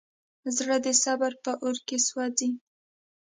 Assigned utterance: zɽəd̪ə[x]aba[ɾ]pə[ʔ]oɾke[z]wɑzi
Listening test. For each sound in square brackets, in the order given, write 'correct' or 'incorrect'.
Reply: incorrect: s, correct, correct, incorrect: s

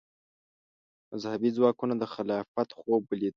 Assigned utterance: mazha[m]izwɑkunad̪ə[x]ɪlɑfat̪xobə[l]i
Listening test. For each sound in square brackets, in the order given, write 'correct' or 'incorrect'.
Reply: incorrect: b, correct, correct

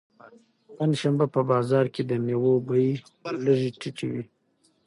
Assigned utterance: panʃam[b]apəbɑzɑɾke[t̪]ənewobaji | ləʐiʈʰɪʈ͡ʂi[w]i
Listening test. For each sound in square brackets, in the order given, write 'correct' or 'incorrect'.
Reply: correct, incorrect: d̪, correct

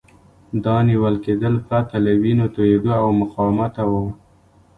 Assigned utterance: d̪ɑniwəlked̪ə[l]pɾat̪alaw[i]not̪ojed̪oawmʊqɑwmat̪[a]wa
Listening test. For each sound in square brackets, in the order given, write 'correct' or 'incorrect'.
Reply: correct, correct, correct

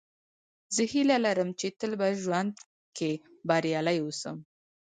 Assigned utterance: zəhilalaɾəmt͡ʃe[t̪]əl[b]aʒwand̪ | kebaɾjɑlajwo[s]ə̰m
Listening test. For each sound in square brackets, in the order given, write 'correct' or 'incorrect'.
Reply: correct, correct, correct

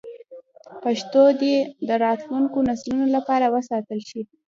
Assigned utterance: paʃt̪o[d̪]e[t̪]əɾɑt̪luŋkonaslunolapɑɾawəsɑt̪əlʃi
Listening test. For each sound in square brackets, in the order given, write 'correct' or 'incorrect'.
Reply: correct, incorrect: d̪

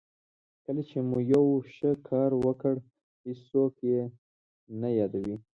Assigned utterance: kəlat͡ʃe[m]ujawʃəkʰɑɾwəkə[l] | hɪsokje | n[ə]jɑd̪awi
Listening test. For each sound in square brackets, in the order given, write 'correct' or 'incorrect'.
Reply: correct, incorrect: ɽ, incorrect: a

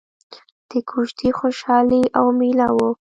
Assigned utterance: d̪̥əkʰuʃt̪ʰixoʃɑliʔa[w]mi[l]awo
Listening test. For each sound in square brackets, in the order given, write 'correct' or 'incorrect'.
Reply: correct, correct

